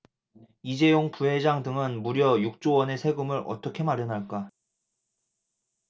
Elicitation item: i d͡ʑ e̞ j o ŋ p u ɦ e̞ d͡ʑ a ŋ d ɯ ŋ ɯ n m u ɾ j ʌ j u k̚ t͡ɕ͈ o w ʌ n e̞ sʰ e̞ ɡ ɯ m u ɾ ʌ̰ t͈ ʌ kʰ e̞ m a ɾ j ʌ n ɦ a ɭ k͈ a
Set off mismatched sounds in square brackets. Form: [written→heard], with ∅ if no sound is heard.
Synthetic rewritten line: i d͡ʑ e̞ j o ŋ p u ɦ e̞ d͡ʑ a ŋ d ɯ ŋ ɯ n m u ɾ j ʌ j u k̚ t͡ɕ͈ o w ʌ n e̞ sʰ e̞ ɡ ɯ m [u→ɯ] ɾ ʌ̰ t͈ ʌ kʰ e̞ m a ɾ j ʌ n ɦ a ɭ k͈ a